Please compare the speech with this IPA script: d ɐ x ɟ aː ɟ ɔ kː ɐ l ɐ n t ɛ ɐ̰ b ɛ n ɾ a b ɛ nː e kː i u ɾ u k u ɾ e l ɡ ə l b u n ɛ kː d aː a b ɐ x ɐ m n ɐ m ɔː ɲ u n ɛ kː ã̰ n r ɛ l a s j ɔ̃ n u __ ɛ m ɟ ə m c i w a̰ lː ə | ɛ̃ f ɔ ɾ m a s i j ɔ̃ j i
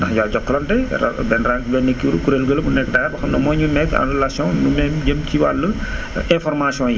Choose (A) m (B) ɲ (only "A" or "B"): A